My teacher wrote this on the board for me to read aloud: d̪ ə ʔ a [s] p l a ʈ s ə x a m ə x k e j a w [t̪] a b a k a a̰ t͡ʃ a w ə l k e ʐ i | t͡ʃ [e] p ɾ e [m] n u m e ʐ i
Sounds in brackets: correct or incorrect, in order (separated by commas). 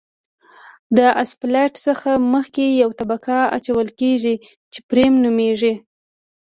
correct, correct, correct, correct